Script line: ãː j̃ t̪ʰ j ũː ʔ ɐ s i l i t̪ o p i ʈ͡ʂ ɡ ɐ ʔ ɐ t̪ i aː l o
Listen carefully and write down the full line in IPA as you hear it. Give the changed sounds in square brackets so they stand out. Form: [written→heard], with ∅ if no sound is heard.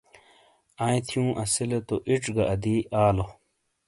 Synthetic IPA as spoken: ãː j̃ t̪ʰ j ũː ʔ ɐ s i l [i→e] t̪ o [p→ʔ] i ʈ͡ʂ ɡ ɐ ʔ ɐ [t̪→d̪] i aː l o